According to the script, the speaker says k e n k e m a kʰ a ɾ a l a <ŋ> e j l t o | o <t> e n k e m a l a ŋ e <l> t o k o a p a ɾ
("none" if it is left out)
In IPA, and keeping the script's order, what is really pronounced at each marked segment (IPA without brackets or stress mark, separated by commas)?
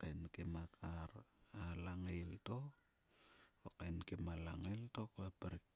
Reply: ŋ, k, l